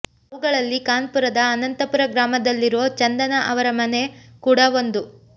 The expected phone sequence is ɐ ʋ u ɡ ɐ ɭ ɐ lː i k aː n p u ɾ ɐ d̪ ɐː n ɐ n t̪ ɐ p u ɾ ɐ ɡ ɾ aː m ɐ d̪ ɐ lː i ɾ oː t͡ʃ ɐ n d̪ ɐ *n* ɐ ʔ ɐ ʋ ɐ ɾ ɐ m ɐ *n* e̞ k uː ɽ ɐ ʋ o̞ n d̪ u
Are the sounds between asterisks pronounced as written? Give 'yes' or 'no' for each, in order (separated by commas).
yes, yes